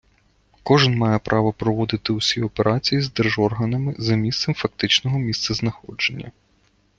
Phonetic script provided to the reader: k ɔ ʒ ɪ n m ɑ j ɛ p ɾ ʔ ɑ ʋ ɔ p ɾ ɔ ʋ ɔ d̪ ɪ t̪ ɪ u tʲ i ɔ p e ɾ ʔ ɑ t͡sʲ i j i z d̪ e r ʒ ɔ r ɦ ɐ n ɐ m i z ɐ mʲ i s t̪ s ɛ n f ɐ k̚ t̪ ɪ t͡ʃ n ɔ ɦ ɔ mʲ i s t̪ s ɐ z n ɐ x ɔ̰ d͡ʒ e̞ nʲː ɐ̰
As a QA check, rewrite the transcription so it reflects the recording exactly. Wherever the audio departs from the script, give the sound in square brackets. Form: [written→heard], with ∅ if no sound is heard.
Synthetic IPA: k ɔ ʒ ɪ n m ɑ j ɛ p ɾ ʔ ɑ ʋ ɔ p ɾ ɔ ʋ ɔ d̪ ɪ t̪ ɪ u [tʲ→sʲ] i ɔ p e ɾ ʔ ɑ t͡sʲ i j i z d̪ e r ʒ ɔ r ɦ ɐ n ɐ m [i→ɪ] z ɐ mʲ i s t̪ s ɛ [n→m] f ɐ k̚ t̪ ɪ t͡ʃ n ɔ ɦ ɔ mʲ i s t̪ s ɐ z n ɐ x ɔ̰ d͡ʒ e̞ nʲː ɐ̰